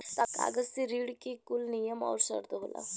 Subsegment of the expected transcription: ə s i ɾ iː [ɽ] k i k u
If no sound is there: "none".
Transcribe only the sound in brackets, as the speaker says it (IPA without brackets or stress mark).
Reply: ɽ